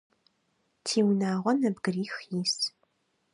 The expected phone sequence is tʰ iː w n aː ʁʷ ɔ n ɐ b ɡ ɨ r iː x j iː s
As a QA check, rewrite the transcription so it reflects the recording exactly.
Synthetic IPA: tʰ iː w n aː ʁʷ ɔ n ɐ b ɡ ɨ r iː x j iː s